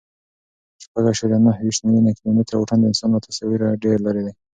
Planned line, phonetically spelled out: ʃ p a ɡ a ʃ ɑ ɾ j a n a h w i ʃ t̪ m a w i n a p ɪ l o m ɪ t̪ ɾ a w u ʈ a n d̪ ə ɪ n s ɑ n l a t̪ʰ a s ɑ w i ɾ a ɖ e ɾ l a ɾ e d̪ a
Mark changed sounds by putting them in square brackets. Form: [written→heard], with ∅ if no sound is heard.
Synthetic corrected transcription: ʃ p a ɡ a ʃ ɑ ɾ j a n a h w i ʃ t̪ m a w i n a [p→k] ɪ l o m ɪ t̪ ɾ a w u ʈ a n d̪ ə ɪ n s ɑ n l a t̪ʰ a s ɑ w i ɾ a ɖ e ɾ l a ɾ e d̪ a